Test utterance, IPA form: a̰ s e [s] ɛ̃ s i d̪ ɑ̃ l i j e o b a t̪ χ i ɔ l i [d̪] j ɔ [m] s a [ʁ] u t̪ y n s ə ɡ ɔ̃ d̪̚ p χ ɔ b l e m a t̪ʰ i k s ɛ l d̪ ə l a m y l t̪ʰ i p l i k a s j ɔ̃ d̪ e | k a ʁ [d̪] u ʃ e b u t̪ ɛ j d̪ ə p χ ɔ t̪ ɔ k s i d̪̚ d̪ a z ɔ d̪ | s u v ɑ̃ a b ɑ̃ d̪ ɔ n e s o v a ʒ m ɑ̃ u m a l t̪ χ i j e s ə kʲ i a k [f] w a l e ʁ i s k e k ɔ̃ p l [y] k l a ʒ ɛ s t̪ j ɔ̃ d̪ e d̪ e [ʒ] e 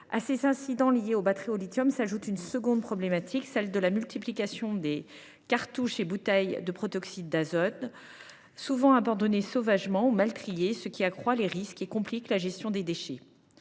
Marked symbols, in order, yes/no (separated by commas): no, no, yes, no, no, no, no, no